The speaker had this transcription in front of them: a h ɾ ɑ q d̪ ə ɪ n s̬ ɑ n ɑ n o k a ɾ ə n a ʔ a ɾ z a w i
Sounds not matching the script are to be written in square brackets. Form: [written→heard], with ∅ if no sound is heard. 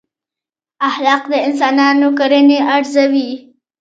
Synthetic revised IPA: a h [ɾ→l] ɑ q d̪ ə ɪ n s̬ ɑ n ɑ n o k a ɾ ə n [a→e] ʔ a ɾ z a w i